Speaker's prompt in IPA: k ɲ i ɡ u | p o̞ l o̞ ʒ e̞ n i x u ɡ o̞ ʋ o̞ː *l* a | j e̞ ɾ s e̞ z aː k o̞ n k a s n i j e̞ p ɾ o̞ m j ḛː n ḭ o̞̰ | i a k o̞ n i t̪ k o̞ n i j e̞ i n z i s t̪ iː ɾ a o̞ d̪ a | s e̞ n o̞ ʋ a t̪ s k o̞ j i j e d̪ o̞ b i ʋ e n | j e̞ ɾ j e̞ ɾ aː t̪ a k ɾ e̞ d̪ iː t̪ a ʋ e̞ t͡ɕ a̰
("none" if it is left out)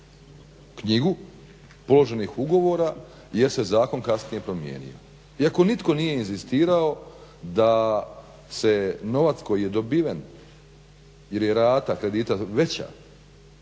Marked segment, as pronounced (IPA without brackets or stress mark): ɾ